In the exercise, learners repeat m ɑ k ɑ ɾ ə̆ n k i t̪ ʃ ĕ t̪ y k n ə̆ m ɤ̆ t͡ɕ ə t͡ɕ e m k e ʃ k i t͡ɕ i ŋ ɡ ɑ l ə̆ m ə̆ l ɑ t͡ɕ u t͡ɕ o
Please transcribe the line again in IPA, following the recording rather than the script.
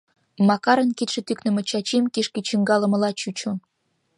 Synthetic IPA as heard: m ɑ k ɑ ɾ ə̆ n k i t̪ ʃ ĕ t̪ y k n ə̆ m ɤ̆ t͡ɕ ɑ t͡ɕ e m k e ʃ k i t͡ɕ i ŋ ɡ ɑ l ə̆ m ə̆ l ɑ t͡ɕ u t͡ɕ o